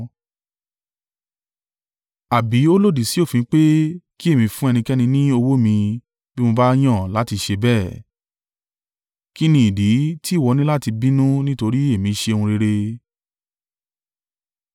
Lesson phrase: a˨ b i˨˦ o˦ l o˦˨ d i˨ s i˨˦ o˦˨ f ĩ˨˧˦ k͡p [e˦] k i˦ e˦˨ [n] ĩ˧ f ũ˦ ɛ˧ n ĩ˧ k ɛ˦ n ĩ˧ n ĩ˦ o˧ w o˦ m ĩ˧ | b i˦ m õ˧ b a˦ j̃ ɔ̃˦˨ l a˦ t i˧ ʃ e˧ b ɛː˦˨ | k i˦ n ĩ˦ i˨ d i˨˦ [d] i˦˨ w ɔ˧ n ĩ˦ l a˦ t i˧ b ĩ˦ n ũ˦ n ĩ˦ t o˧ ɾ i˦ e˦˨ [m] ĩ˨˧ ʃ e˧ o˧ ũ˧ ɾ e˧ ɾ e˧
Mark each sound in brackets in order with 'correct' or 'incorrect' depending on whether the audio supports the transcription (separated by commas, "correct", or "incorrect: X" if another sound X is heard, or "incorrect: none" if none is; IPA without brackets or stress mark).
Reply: correct, incorrect: m, incorrect: t, correct